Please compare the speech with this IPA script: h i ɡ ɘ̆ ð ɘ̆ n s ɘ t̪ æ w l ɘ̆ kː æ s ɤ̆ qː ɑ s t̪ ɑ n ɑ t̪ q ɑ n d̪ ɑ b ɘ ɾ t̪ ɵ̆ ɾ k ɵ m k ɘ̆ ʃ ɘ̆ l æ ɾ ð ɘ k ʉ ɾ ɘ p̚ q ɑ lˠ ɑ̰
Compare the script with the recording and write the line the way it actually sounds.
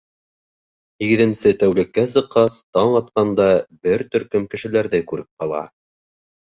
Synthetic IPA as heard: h i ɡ ɘ̆ ð ɘ̆ n s ɘ t̪ æ w l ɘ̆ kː æ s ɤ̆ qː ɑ s t̪ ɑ ɴ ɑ t̪ q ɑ n d̪ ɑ b ɘ ɾ t̪ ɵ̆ ɾ k ɵ m k ɘ̆ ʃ ɘ̆ l æ ɾ ð ɘ k ʉ ɾ ɘ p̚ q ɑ lˠ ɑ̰